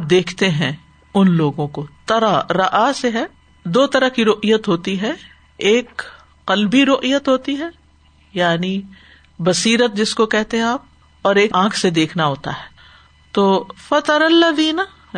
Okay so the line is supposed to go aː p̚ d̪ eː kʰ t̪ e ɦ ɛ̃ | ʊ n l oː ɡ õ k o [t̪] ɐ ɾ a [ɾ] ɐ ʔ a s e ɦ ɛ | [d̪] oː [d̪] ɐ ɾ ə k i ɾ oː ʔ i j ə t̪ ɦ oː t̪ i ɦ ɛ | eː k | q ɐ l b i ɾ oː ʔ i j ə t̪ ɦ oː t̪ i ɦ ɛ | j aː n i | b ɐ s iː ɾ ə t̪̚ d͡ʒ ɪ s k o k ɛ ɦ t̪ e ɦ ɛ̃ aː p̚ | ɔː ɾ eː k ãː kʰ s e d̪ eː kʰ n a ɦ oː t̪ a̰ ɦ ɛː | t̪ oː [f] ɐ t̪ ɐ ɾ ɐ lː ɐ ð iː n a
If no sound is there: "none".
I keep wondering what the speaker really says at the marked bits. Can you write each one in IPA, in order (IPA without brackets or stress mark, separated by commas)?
t̪, ɾ, d̪, t̪, f